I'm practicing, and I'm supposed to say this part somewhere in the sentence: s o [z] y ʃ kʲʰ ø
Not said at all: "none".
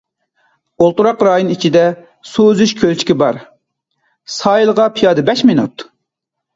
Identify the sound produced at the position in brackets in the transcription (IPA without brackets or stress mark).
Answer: z